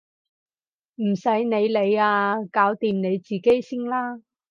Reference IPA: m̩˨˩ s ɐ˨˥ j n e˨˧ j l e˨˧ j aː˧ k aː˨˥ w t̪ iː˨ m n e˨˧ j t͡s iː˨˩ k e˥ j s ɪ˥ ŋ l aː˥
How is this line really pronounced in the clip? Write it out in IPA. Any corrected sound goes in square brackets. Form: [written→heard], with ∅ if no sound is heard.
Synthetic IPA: m̩˨˩ s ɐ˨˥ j n e˨˧ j l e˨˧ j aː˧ k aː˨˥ w t̪ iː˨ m n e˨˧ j t͡s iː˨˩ k e˥ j s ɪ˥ ŋ l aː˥